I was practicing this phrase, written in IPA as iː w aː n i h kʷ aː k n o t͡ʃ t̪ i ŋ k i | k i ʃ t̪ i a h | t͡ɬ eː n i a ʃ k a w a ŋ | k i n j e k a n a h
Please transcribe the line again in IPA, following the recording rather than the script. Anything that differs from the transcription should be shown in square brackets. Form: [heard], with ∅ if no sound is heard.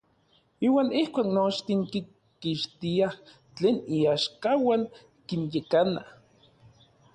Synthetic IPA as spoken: iː w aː n i h kʷ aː k n o t͡ʃ t̪ i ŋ k i | k i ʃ t̪ i a h | t͡ɬ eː n i a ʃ k a w a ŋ | k i n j e k a n a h